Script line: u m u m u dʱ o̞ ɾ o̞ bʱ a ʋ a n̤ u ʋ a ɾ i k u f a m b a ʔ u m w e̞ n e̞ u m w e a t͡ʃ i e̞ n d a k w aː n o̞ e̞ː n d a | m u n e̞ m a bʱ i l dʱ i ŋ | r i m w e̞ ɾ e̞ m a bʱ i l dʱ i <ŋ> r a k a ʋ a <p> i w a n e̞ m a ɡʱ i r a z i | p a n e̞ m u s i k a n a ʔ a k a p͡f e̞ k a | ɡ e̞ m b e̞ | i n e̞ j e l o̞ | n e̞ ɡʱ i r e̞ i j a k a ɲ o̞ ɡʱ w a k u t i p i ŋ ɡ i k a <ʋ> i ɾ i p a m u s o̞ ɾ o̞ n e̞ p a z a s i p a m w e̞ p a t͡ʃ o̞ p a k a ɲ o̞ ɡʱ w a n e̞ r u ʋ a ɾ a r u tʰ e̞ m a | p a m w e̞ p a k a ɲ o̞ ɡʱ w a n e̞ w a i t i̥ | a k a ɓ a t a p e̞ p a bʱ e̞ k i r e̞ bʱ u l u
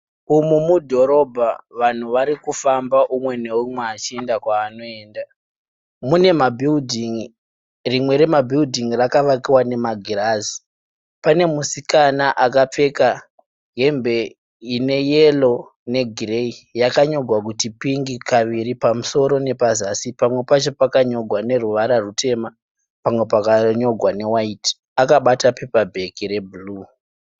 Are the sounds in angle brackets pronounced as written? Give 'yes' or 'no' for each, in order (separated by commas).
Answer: yes, no, yes